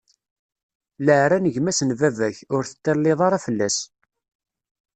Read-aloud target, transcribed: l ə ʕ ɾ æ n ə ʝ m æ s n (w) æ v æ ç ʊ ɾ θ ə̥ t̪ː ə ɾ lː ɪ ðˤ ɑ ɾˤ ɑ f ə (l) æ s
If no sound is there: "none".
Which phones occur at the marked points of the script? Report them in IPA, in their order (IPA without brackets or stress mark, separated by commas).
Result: v, lː